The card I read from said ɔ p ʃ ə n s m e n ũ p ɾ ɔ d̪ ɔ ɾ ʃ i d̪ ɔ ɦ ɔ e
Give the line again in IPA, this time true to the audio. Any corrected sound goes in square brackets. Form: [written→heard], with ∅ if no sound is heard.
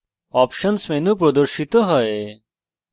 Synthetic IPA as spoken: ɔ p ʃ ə n s m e n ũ p ɾ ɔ d̪ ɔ ɾ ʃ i [d̪→t̪] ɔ ɦ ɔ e